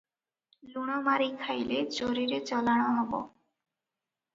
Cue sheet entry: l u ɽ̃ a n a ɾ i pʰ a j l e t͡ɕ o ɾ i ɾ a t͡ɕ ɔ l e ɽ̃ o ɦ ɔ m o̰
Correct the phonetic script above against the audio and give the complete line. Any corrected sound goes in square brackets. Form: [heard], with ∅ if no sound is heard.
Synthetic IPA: l u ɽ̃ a [m] a ɾ i [kʰ] a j l e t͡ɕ o ɾ i ɾ [e] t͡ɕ ɔ l [a] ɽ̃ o ɦ ɔ [b] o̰